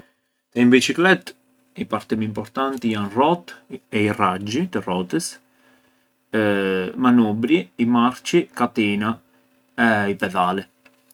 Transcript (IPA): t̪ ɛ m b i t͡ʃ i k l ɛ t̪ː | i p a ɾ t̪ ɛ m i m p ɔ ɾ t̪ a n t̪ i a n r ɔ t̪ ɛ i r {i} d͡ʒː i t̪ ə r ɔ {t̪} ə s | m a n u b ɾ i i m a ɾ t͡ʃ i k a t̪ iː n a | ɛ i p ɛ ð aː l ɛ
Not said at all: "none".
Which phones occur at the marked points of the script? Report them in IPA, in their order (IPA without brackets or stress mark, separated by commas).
a, t̪